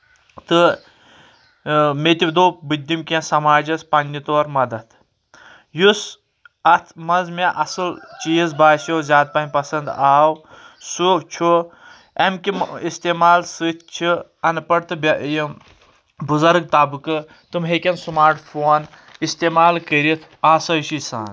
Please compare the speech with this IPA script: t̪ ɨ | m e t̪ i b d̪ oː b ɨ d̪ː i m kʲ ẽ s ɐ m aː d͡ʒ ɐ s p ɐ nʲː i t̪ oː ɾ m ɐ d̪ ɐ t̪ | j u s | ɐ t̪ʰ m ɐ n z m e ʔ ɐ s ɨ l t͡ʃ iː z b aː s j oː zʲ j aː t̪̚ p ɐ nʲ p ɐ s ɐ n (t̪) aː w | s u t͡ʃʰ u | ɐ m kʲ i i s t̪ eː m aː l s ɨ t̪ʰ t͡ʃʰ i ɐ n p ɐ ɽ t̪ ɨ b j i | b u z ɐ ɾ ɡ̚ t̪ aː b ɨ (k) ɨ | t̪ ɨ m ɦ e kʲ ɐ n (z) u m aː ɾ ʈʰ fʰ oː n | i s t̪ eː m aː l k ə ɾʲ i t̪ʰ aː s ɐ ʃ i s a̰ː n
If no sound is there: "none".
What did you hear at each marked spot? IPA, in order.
d̪, k, s

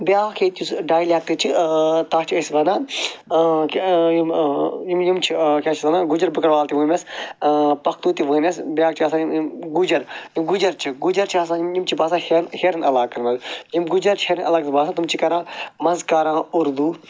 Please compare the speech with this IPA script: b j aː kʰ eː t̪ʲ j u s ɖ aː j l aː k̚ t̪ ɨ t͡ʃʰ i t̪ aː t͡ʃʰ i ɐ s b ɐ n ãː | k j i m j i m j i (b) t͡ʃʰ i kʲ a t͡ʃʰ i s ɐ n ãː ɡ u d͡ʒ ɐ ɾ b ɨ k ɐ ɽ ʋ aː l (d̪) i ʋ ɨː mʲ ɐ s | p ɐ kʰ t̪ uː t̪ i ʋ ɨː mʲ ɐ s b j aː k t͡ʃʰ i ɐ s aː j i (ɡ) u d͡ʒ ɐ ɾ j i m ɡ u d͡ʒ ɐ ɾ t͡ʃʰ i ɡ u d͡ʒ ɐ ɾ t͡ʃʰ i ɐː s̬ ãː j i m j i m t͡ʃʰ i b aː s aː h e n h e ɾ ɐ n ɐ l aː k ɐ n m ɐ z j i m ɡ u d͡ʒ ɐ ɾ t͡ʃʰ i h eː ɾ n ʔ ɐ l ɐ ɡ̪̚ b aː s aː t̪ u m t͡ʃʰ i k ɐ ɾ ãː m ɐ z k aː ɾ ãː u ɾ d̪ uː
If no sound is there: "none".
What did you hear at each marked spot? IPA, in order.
m, t̪, ɡ

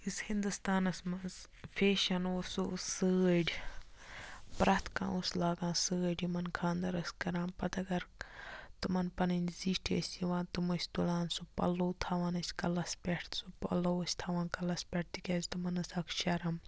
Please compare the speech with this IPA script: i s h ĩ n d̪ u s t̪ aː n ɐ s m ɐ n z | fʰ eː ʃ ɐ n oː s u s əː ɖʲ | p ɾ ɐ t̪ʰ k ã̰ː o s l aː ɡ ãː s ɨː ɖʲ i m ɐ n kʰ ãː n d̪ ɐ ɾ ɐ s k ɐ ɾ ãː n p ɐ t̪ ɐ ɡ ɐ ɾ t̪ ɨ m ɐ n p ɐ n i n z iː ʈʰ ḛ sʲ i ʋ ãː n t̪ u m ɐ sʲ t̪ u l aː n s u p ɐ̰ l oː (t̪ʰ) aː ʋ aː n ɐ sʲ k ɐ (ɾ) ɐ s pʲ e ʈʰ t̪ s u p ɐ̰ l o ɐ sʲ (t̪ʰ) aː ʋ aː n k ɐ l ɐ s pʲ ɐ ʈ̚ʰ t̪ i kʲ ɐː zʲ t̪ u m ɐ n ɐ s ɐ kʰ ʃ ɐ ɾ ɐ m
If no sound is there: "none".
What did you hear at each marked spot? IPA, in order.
t̪ʰ, l, t̪ʰ

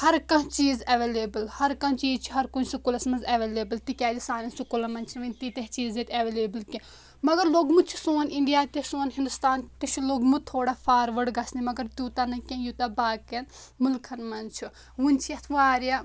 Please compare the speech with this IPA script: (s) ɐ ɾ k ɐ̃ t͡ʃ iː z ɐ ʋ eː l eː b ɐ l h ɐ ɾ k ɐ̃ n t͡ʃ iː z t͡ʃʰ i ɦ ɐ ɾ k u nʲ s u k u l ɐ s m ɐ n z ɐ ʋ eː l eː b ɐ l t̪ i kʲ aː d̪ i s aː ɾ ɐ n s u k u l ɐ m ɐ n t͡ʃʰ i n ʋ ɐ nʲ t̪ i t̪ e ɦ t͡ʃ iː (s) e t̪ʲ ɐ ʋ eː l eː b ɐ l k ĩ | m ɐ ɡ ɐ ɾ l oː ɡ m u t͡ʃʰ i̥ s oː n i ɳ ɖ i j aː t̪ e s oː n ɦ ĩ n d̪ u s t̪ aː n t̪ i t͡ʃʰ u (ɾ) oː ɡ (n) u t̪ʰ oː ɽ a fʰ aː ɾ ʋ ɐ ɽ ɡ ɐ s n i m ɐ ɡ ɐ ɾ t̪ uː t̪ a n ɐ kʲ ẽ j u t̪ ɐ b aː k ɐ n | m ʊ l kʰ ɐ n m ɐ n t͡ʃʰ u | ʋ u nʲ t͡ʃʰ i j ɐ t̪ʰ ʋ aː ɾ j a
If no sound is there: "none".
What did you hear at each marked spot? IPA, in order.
h, z, l, m

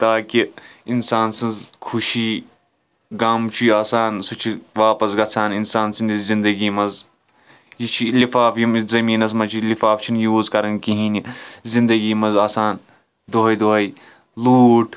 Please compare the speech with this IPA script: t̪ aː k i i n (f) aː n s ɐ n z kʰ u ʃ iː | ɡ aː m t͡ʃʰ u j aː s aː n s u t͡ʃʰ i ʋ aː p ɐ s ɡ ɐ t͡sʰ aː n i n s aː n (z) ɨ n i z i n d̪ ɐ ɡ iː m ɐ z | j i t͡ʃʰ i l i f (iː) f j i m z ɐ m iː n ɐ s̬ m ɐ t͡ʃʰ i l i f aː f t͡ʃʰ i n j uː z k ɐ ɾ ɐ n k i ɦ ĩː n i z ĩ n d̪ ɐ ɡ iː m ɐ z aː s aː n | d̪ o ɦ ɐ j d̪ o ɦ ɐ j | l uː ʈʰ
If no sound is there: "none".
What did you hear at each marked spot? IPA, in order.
s, s, aː

